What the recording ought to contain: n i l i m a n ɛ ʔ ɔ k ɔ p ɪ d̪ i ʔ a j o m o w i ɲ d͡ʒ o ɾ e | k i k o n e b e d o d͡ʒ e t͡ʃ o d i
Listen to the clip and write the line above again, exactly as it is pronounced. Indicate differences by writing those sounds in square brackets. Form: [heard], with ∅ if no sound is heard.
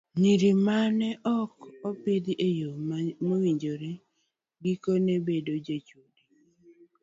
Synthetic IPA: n i [ɾ] i m a n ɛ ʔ ɔ k ɔ p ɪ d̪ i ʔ [e] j o m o w i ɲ d͡ʒ o ɾ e | [ɡ] i k o n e b e d o d͡ʒ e t͡ʃ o d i